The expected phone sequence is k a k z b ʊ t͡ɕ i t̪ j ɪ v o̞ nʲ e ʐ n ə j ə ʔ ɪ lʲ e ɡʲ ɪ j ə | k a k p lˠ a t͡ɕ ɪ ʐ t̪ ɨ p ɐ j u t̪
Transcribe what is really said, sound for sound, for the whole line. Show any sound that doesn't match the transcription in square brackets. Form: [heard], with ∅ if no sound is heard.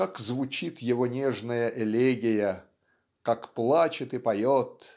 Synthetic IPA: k a k z [v] ʊ t͡ɕ i t̪ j ɪ v o̞ nʲ e ʐ n ə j ə ʔ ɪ lʲ e ɡʲ ɪ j ə | k a k p lˠ a t͡ɕ ɪ [∅] t̪ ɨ p ɐ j [o] t̪